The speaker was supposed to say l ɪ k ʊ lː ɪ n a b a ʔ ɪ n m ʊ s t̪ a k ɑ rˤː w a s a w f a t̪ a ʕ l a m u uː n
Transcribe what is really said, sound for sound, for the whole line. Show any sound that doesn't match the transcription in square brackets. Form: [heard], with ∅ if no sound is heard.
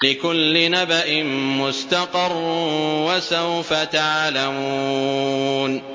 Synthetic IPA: l ɪ k ʊ lː ɪ n a b a ʔ ɪ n m ʊ s t̪ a [q] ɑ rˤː w a s a w f a t̪ a ʕ l a m u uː n